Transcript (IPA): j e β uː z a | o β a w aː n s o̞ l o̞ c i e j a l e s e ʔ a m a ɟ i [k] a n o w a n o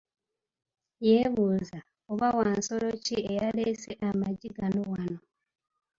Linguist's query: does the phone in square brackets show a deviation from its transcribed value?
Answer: yes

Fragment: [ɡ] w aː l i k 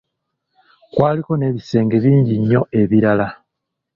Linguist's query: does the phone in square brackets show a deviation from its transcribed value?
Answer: yes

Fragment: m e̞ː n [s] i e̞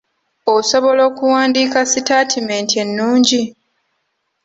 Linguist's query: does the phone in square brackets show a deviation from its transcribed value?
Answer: yes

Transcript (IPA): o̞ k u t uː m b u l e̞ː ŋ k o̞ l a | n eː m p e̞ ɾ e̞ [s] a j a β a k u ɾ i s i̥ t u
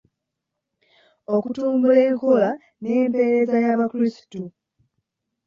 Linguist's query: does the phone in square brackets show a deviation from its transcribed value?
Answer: yes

